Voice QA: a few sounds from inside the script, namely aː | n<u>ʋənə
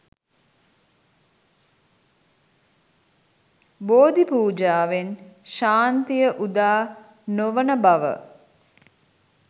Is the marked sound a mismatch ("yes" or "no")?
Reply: yes